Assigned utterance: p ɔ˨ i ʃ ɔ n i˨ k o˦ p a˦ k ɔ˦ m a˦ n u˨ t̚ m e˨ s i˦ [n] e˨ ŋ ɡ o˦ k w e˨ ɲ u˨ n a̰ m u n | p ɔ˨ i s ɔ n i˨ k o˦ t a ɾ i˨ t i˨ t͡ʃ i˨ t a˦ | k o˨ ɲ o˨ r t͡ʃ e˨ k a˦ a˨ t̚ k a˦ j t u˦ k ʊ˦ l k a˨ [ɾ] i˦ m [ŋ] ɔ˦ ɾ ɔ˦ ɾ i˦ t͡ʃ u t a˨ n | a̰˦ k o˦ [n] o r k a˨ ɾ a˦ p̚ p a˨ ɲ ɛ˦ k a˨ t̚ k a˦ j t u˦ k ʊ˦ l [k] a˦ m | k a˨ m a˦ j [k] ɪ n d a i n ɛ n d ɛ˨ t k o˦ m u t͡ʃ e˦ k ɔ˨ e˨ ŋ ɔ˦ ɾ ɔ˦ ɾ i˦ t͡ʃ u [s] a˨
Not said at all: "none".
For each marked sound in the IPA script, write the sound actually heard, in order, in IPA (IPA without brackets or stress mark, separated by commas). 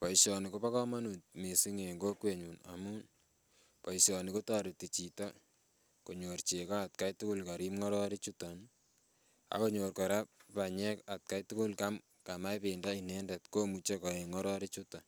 ŋ, ɾ, ŋ, ɲ, k, p, t